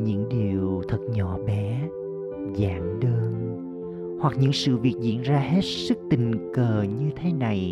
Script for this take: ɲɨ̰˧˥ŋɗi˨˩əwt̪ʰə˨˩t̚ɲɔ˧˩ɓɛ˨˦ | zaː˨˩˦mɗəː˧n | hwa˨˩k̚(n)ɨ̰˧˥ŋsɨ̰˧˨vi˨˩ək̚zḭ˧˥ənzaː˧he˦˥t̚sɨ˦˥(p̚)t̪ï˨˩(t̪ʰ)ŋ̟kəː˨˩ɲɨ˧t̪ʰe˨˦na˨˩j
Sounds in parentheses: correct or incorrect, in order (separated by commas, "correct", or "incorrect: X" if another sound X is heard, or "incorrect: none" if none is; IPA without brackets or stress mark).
incorrect: ɲ, incorrect: k̚, incorrect: none